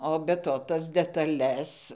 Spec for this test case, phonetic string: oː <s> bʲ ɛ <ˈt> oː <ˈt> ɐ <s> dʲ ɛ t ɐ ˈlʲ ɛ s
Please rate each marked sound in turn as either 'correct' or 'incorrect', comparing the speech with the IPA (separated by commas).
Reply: incorrect, correct, correct, correct